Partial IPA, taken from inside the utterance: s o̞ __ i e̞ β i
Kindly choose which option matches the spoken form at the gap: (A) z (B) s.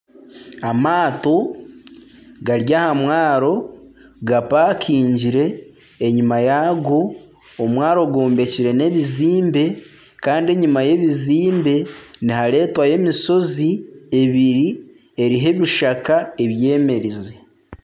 A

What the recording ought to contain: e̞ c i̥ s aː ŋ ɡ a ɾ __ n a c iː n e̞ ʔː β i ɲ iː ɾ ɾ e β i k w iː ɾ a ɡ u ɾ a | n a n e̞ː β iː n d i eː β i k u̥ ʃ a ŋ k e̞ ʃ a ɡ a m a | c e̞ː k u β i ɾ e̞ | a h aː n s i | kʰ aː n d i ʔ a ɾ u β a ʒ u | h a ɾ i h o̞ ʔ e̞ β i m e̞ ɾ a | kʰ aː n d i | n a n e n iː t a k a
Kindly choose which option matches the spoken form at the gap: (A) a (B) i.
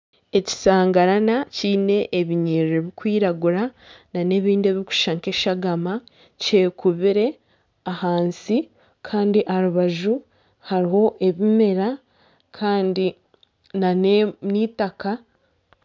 A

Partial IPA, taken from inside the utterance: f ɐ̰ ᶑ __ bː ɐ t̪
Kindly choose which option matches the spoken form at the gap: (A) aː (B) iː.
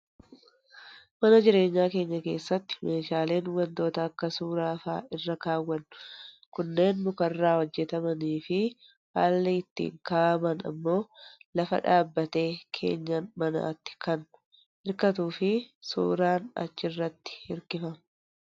A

